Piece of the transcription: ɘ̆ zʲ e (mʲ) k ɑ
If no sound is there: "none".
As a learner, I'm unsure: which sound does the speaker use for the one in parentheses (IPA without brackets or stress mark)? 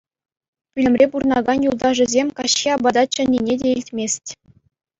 mʲ